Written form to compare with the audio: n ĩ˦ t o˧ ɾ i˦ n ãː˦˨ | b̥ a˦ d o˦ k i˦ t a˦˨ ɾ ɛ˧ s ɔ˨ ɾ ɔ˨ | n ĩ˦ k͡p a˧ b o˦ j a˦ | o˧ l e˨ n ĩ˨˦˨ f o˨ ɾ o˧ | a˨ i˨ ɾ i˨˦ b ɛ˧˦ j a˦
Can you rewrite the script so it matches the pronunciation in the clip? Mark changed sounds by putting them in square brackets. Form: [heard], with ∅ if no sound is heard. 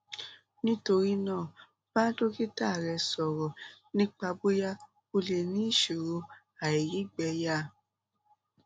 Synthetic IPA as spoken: n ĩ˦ t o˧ ɾ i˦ n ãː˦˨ | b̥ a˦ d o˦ k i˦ t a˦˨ ɾ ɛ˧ s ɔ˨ ɾ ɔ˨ | n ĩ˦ k͡p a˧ b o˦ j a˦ | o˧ l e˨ n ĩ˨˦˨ [ʃ] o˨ ɾ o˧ | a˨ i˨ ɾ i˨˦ [ɡ͡b] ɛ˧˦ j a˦